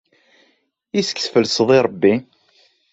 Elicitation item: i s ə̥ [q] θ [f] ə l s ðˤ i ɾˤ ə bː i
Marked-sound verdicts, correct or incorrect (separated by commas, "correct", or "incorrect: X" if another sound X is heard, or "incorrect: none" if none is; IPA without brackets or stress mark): incorrect: k, correct